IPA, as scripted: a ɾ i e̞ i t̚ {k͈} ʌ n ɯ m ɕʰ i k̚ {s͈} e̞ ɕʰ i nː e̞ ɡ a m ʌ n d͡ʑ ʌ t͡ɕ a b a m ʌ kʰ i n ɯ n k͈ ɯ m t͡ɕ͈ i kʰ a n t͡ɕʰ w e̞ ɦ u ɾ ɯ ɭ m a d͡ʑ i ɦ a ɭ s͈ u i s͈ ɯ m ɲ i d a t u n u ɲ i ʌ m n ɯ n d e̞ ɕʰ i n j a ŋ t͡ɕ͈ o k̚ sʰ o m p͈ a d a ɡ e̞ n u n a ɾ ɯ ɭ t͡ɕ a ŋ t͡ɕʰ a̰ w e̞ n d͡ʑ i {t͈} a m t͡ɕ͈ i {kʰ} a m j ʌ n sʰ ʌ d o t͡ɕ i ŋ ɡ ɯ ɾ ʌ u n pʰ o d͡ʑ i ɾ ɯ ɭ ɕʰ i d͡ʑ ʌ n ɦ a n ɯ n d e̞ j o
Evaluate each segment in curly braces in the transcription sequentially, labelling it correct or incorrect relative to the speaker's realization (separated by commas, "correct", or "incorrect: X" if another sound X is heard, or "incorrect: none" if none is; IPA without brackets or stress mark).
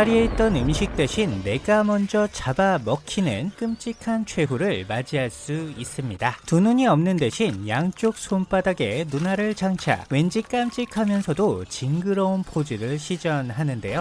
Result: incorrect: t͈, incorrect: t͈, incorrect: k͈, correct